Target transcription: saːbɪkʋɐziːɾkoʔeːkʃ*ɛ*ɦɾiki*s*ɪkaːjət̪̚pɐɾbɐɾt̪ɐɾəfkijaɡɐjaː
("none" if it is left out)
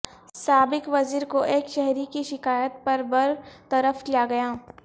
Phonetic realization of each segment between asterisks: ɛ, ʃ

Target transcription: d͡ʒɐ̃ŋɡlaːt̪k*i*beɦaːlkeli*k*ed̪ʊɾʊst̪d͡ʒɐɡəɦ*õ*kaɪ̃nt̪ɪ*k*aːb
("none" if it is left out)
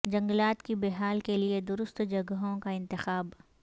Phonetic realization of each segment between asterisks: i, none, õ, x

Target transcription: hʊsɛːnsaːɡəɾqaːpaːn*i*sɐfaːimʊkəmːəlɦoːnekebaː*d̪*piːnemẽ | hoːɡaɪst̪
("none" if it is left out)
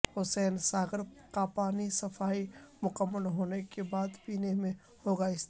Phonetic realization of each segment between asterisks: i, d̪

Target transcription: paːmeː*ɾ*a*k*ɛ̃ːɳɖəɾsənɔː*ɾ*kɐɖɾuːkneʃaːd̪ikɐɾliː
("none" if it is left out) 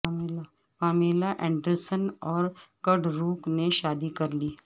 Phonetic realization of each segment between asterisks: l, ʔ, ɾ

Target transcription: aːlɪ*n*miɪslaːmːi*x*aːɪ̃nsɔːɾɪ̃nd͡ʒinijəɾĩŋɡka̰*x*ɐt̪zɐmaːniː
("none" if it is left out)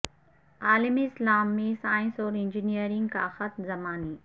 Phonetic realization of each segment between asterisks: none, s, x

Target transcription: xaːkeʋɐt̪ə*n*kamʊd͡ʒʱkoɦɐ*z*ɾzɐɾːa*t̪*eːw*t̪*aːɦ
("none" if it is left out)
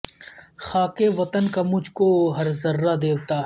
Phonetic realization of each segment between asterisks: n, none, d̪, t̪

